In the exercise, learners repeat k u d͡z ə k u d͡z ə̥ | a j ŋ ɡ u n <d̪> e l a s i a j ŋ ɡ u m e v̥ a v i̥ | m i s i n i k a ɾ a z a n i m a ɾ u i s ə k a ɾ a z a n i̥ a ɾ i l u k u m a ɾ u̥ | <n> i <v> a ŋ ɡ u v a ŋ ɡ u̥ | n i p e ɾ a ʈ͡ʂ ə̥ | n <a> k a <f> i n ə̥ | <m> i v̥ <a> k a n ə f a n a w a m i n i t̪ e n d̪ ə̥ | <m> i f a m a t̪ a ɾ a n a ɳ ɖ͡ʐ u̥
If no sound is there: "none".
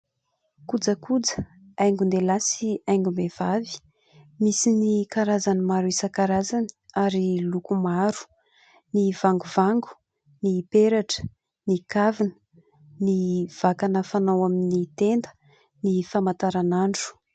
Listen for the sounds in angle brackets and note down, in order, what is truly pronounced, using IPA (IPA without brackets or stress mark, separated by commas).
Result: d̪, n, v, i, v, n, a, n